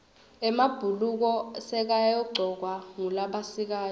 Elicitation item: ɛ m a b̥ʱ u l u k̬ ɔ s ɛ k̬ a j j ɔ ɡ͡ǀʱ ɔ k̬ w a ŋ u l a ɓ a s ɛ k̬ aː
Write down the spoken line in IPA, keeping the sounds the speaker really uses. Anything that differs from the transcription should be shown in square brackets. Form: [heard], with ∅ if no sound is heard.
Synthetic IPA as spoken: ɛ m a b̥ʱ u l u k̬ ɔ s ɛ k̬ a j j ɔ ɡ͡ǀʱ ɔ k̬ w a ŋ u l a ɓ a s [i] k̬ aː